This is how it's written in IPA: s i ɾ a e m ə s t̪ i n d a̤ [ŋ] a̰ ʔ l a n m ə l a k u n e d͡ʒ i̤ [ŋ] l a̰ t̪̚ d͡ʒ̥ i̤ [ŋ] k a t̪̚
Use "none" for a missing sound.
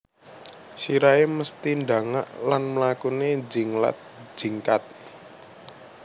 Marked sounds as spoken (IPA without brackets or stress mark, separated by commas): ŋ, ŋ, ŋ